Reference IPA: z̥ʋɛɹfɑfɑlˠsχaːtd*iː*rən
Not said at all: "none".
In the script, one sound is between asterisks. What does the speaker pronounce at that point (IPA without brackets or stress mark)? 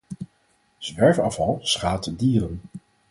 iː